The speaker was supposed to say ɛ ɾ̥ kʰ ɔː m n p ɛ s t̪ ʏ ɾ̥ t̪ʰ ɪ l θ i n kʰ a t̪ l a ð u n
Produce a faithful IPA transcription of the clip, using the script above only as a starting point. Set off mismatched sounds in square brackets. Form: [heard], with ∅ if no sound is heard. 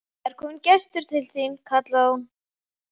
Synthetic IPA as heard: ɛ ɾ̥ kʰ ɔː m n [c] ɛ s t̪ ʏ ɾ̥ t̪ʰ ɪ l θ i n kʰ a t̪ l a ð u n